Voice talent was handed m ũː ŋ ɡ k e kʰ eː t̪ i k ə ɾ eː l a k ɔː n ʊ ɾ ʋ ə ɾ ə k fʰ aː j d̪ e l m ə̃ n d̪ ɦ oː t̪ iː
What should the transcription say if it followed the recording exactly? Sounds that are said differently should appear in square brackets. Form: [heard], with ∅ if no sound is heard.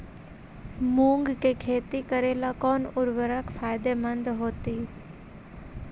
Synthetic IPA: m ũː ŋ ɡ k e kʰ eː t̪ i k ə ɾ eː l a k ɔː n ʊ ɾ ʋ ə ɾ ə k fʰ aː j d̪ e [∅] m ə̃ n d̪ ɦ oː t̪ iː

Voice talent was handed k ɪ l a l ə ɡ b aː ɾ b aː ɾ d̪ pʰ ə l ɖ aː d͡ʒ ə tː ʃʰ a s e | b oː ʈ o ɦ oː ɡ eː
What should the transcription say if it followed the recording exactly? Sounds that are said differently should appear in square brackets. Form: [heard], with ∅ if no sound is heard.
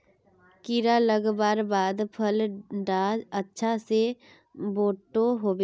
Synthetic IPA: k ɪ [ɾ] a l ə ɡ b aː ɾ b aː [∅] d̪ pʰ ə l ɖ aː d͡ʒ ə tː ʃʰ a s e | b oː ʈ o ɦ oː [b] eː

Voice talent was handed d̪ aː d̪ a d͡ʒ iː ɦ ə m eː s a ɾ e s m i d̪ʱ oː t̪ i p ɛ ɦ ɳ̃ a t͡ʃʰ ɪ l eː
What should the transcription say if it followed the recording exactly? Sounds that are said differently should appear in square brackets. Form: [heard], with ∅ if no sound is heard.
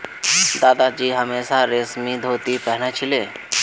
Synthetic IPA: d̪ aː d̪ a d͡ʒ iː ɦ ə m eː s a ɾ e s m i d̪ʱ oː t̪ i p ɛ ɦ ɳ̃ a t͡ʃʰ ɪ l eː

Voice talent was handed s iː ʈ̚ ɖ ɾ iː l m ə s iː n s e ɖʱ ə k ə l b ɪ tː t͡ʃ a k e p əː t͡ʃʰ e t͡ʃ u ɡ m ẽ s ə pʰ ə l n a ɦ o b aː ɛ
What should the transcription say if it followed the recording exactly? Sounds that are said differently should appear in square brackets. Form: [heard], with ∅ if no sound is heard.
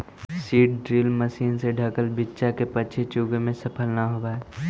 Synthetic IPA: s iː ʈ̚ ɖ ɾ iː l m ə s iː n s e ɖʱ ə k ə l b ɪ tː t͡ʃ a k e p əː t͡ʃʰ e t͡ʃ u ɡ m ẽ s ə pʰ ə l n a ɦ o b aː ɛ

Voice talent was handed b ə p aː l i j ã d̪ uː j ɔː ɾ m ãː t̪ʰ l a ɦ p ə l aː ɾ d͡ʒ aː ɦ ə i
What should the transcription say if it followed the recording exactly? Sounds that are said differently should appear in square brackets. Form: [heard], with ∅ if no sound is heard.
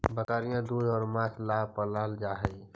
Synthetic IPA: b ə [k] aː [ɾ] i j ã d̪ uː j ɔː ɾ m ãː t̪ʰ l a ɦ p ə l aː [l] d͡ʒ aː ɦ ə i

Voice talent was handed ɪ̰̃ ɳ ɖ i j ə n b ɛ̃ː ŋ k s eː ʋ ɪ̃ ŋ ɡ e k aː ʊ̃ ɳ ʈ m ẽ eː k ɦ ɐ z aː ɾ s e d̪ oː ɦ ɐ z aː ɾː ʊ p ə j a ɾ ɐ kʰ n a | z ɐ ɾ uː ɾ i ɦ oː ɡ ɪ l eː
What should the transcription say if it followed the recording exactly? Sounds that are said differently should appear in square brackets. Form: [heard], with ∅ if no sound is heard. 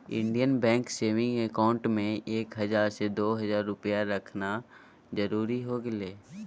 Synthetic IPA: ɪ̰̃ ɳ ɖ i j ə n b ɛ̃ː ŋ k s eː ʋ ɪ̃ ŋ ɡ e k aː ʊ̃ ɳ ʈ m ẽ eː k ɦ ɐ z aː ɾ s e d̪ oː ɦ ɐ z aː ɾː ʊ p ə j a ɾ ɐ kʰ n a | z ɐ ɾ uː ɾ i ɦ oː ɡ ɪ l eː

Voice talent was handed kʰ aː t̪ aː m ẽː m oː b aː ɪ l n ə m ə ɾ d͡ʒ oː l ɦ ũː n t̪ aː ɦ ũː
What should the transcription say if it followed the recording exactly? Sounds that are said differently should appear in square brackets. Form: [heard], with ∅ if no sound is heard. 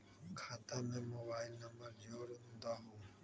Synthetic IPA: kʰ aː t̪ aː m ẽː m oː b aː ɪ l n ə m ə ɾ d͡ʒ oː [ɾ] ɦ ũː n [d̪] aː ɦ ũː

